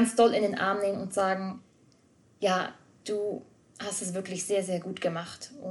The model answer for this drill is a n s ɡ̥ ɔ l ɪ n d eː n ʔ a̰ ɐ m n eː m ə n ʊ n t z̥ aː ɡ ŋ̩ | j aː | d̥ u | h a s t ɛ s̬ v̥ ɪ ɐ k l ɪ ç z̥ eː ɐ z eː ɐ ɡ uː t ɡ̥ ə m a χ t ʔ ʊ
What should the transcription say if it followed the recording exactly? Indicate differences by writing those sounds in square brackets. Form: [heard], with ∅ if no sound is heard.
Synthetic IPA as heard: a n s [d̥] ɔ l ɪ n d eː n ʔ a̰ ɐ m n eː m ə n ʊ n t z̥ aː ɡ ŋ̩ | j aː | d̥ [uː] | h a s t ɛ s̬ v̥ ɪ ɐ k l ɪ ç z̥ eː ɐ z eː ɐ ɡ uː t ɡ̥ ə m a χ t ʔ ʊ